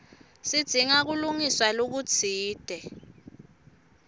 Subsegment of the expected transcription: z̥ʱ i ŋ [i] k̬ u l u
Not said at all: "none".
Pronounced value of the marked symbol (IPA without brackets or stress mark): a